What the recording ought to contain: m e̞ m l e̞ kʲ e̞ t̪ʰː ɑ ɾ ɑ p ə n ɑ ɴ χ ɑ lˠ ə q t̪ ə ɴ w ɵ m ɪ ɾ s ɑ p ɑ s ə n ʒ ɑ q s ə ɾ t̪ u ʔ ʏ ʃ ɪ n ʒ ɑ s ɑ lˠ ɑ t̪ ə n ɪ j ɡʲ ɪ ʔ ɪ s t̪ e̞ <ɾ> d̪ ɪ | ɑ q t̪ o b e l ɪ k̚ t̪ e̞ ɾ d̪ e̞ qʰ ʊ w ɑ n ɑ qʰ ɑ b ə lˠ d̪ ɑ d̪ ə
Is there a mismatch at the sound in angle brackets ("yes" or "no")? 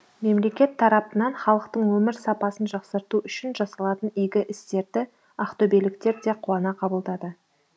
no